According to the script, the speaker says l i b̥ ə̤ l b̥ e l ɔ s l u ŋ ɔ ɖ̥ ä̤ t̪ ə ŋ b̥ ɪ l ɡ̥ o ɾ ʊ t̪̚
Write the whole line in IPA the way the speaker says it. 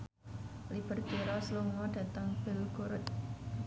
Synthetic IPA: l i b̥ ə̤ r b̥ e ɾ ɔ s l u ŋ ɔ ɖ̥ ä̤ t̪ ə ŋ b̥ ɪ l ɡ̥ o ɾ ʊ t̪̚